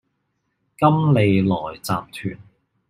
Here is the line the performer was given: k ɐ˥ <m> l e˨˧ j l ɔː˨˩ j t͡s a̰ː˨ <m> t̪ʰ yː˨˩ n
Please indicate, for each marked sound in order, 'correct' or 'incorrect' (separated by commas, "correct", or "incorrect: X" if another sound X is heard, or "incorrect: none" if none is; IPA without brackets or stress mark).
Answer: correct, correct